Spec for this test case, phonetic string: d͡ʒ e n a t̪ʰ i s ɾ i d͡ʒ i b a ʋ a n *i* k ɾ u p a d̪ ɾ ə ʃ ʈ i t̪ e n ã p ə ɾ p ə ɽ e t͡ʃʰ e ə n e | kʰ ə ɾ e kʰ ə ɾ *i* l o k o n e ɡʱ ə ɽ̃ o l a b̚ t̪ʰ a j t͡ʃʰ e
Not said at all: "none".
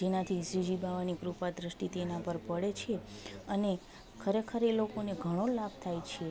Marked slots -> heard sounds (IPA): i, e

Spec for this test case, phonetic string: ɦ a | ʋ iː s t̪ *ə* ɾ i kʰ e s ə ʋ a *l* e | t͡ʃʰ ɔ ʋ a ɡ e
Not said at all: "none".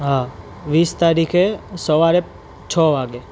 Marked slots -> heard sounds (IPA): a, ɾ

